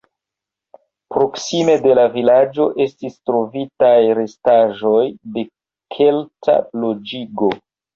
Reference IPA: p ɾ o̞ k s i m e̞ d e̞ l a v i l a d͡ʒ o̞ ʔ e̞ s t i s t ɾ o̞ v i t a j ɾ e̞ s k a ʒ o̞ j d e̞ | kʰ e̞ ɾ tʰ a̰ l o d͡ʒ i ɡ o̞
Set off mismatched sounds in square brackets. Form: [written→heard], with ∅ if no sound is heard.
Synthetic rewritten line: p ɾ o̞ k s i m e̞ d e̞ l a v i l a d͡ʒ o̞ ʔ e̞ s t i s t ɾ o̞ v i t a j ɾ e̞ s [k→t] a ʒ o̞ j d e̞ | kʰ e̞ [ɾ→l] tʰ a̰ l o d͡ʒ i ɡ o̞